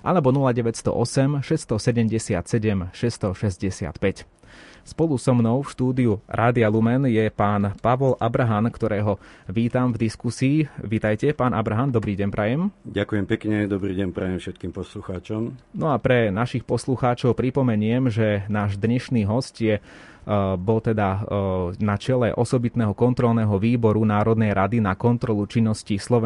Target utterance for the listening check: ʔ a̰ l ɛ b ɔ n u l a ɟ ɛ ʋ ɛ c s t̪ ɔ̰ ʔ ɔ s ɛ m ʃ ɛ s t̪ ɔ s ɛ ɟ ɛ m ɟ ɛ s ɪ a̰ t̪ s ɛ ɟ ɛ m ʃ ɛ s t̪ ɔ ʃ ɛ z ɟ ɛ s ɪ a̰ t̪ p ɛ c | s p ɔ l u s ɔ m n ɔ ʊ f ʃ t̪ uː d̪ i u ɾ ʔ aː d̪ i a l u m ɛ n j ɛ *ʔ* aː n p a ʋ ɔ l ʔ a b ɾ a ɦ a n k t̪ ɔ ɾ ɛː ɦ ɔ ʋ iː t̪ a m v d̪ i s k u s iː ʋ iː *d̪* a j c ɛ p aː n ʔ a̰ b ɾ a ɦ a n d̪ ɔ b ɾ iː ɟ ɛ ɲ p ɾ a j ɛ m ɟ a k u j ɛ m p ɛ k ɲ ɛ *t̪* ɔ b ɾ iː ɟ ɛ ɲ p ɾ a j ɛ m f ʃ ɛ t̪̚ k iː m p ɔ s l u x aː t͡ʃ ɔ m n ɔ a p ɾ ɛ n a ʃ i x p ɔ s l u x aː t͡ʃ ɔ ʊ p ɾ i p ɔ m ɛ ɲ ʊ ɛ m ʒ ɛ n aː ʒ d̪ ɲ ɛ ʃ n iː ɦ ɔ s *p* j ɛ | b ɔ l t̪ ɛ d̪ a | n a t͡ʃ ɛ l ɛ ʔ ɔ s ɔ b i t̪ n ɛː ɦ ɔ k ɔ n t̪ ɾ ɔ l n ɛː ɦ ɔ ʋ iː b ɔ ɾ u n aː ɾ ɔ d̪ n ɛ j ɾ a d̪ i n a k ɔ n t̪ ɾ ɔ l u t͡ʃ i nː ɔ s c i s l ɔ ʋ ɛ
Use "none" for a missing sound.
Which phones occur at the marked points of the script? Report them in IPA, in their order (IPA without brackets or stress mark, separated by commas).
p, t̪, d̪, c